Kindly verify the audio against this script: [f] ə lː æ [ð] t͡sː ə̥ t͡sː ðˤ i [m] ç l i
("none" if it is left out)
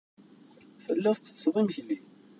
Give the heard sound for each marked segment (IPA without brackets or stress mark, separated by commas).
f, θ, m